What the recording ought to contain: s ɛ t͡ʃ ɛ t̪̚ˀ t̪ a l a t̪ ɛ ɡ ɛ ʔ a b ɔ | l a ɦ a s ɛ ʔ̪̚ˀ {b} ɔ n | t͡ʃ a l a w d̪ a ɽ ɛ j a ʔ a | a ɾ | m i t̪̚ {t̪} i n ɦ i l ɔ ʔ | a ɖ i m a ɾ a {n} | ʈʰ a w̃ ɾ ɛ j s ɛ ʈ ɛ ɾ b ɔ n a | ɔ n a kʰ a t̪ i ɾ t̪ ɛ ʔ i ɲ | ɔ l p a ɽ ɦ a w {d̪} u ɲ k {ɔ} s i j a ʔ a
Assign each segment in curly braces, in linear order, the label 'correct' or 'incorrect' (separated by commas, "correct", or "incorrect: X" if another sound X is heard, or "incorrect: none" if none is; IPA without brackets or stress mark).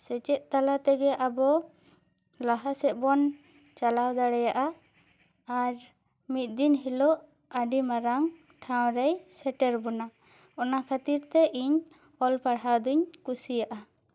correct, incorrect: d̪, incorrect: ŋ, correct, incorrect: u